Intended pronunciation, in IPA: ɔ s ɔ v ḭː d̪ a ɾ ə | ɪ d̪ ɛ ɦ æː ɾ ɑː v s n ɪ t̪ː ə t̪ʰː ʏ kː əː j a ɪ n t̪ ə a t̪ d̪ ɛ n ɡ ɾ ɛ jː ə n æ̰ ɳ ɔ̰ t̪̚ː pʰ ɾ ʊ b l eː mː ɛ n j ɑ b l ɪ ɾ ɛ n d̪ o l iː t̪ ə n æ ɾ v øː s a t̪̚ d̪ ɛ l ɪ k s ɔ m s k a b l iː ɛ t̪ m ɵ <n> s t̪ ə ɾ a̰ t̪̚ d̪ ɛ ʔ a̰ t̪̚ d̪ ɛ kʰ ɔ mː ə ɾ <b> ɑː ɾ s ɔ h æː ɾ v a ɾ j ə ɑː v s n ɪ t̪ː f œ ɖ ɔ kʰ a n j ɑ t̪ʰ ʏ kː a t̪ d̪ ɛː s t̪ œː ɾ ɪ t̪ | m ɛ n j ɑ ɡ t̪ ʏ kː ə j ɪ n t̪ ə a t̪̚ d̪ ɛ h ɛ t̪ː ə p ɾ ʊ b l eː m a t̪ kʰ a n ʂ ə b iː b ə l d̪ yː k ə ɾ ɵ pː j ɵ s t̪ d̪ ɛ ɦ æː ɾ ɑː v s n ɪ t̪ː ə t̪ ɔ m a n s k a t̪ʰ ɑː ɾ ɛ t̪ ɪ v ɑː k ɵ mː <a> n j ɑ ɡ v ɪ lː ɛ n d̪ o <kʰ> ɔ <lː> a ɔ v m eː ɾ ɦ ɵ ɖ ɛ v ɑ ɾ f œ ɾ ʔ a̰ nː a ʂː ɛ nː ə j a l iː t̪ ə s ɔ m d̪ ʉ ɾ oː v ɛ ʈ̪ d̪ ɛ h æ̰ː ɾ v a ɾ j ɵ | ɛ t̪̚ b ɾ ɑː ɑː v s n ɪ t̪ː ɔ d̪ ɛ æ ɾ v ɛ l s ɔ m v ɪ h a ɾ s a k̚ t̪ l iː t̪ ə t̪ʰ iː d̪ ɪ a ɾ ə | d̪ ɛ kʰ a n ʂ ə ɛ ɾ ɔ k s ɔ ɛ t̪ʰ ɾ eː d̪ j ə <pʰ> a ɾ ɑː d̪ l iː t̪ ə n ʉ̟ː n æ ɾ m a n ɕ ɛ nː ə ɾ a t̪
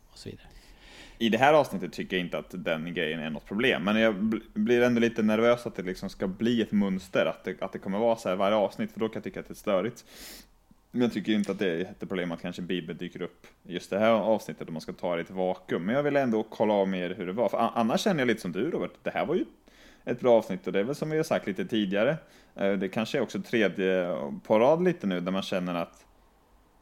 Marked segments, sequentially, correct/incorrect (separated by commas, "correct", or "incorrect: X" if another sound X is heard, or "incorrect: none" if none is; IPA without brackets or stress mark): correct, incorrect: v, incorrect: ɛ, correct, correct, correct